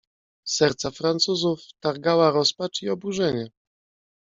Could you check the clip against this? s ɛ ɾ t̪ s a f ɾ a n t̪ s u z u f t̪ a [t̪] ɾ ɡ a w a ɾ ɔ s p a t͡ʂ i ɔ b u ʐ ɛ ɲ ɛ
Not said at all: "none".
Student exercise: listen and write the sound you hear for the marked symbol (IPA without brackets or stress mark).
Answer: none